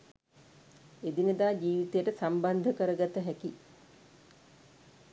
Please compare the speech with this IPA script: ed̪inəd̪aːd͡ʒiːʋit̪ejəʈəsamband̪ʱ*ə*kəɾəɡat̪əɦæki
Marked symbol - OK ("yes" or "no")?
yes